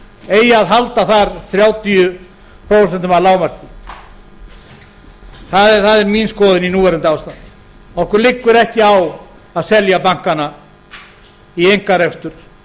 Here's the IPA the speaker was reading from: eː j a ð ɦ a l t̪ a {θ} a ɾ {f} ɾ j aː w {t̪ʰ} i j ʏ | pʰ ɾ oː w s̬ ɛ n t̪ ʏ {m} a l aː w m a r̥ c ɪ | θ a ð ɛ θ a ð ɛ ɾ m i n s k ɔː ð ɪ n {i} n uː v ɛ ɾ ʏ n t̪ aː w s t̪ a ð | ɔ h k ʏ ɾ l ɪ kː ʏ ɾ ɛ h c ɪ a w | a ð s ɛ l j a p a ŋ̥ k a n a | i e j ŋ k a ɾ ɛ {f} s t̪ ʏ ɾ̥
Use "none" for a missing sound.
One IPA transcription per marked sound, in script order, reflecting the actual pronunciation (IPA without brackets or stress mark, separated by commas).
θ, θ, t̪, m, i, f